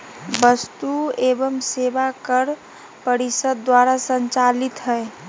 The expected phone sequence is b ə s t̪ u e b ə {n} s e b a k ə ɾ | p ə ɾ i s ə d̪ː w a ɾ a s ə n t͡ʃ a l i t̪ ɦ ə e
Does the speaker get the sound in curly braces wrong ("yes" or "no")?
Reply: yes